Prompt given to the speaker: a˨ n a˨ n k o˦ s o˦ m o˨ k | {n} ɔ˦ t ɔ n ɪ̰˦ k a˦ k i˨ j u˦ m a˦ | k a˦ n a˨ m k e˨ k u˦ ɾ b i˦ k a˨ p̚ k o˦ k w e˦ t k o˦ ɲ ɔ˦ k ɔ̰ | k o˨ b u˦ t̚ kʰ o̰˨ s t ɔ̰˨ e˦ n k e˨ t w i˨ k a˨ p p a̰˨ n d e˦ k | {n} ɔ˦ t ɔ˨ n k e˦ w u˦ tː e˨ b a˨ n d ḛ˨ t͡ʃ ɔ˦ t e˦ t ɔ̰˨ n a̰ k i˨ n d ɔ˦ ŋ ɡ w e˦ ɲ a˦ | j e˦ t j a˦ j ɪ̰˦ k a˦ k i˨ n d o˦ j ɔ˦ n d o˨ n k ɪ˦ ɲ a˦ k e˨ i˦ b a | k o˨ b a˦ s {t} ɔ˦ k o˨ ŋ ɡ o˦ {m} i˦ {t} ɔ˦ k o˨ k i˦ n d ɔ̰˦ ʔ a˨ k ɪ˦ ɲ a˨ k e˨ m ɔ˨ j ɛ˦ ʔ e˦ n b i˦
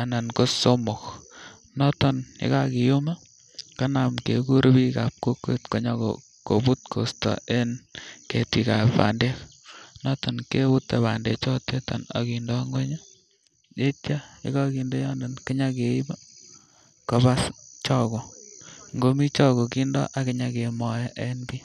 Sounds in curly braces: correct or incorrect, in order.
correct, correct, incorrect: t͡ʃ, correct, incorrect: t͡ʃ

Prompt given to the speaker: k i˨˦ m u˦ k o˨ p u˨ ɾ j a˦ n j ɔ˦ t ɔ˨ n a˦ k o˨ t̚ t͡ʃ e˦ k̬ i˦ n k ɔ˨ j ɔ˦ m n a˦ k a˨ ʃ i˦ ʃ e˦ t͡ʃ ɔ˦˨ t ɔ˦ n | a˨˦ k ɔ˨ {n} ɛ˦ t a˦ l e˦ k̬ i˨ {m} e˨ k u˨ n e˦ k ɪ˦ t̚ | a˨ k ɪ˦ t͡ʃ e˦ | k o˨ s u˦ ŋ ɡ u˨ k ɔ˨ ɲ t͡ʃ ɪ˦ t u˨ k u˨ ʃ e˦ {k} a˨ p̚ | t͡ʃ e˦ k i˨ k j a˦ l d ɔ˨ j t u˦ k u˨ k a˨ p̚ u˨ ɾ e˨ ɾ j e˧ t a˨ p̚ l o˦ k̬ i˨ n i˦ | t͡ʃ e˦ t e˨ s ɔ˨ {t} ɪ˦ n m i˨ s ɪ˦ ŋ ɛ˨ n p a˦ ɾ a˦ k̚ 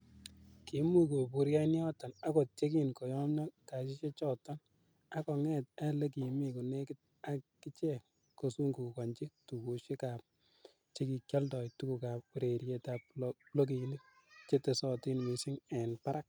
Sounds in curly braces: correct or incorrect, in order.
incorrect: ŋ, correct, correct, correct

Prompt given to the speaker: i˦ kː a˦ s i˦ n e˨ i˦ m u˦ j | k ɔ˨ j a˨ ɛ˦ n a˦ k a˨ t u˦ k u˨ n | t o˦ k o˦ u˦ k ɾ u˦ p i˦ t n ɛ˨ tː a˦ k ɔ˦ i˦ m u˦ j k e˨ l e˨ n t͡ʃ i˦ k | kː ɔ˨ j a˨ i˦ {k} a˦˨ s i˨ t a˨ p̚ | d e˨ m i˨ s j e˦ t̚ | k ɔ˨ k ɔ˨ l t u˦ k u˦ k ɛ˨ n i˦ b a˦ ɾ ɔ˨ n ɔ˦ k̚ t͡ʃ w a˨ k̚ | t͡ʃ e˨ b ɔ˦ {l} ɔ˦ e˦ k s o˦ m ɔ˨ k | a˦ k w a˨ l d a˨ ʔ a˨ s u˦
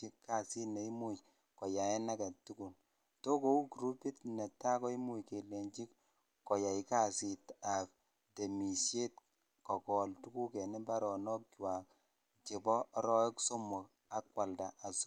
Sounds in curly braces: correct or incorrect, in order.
correct, incorrect: ɾ

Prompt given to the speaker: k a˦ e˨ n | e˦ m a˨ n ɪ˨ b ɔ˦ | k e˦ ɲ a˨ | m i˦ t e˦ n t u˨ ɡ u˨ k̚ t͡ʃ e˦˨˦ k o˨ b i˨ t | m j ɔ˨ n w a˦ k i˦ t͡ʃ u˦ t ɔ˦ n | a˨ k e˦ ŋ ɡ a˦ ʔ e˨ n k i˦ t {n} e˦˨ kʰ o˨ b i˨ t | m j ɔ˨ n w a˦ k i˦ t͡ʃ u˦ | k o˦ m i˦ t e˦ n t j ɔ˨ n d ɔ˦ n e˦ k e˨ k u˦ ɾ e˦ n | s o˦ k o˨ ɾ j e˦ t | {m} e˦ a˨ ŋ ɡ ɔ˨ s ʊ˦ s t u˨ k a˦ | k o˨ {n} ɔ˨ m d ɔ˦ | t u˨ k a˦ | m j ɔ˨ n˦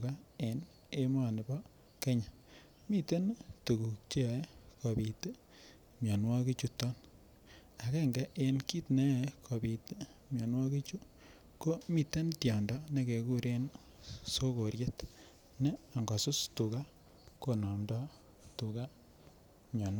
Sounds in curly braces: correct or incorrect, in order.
correct, incorrect: n, correct

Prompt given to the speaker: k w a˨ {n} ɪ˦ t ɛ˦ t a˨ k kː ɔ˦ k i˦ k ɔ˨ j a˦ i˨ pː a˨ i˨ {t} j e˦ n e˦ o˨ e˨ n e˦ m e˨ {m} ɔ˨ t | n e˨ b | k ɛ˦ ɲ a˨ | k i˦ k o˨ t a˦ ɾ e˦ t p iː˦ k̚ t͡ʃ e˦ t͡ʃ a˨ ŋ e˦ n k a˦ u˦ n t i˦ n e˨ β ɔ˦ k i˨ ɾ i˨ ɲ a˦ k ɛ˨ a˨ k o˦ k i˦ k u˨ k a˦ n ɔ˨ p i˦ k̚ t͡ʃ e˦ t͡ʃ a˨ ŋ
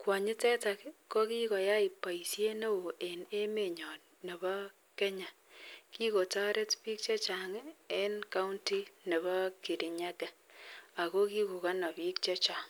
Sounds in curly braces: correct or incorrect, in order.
incorrect: ɲ, incorrect: s, incorrect: ɲ

